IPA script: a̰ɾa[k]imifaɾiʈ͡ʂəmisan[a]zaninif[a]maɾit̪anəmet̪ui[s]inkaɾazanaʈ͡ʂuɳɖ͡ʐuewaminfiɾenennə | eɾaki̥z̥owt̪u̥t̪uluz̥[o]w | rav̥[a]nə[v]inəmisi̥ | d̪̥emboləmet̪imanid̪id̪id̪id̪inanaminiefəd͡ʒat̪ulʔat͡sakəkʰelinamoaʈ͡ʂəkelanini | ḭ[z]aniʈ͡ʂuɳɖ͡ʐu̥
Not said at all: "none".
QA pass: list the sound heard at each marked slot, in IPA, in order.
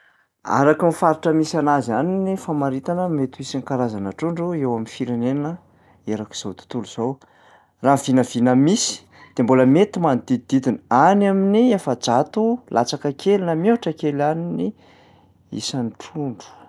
k, a, a, s, o, i, v, s

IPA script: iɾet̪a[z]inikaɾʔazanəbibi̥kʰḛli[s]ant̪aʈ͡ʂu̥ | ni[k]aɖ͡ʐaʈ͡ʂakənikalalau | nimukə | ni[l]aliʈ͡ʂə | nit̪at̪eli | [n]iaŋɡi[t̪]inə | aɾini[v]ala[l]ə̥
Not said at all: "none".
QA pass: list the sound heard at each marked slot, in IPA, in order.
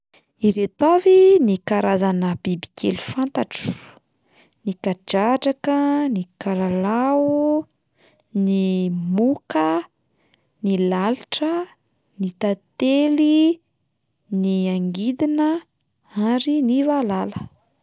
v, f, k, l, n, d̪, v, l

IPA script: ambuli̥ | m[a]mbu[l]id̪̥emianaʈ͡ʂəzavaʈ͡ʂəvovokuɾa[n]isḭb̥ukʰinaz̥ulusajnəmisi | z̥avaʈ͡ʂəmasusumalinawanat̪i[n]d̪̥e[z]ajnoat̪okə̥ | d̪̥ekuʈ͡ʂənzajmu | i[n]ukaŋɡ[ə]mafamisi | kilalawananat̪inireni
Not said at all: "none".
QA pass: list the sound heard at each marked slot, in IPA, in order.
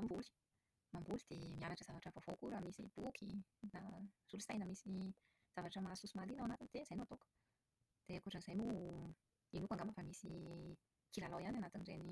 a, l, m, n, z, n, a

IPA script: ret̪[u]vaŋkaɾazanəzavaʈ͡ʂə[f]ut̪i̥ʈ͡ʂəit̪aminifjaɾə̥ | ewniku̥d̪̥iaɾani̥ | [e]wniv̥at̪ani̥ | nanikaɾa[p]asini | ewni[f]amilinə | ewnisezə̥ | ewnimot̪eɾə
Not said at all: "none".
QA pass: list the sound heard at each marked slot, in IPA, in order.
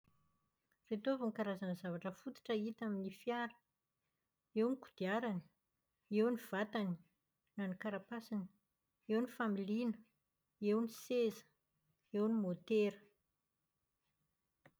o, f, e, p, f

